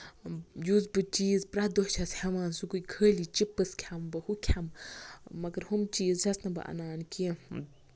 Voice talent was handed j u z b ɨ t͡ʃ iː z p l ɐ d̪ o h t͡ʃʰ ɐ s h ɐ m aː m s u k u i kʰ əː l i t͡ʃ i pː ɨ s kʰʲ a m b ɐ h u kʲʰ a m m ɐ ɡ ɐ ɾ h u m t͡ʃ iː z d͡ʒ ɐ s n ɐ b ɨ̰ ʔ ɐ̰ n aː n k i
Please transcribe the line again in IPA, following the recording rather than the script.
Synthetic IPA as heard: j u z b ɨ t͡ʃ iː z p ɾ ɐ d̪ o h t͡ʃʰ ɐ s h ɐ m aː n s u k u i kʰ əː l i t͡ʃ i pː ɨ s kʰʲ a m b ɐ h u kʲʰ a m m ɐ ɡ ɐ ɾ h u m t͡ʃ iː z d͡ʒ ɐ s n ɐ b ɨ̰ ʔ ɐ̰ n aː n k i